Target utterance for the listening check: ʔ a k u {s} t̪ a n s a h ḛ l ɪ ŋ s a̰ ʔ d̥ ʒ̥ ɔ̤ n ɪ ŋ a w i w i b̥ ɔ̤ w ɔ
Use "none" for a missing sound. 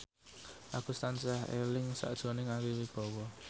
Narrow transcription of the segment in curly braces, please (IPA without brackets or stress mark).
s